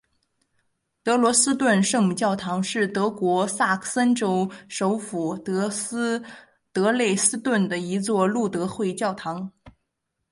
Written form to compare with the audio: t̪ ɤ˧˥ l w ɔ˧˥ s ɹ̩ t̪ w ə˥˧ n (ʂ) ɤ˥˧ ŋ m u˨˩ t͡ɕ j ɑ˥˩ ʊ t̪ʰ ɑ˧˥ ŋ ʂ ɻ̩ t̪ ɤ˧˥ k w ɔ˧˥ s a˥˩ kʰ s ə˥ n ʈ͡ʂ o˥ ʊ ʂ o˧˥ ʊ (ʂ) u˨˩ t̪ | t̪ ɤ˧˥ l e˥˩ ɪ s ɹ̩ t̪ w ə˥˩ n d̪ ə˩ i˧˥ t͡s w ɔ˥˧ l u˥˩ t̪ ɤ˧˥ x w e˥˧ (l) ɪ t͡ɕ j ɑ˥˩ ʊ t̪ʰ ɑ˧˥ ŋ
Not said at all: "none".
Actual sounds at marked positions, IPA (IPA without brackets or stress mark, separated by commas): ʂ, f, none